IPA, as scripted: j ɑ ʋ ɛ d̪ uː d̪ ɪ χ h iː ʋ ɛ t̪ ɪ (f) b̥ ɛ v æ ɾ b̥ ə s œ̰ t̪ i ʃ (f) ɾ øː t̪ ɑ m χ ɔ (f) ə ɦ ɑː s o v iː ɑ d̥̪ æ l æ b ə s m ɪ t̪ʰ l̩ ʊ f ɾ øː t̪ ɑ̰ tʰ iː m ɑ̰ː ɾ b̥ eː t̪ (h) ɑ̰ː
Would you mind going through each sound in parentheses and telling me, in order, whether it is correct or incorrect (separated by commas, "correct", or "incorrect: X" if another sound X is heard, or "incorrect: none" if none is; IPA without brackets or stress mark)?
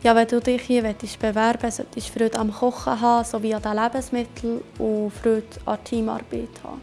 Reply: incorrect: ʃ, correct, incorrect: χ, correct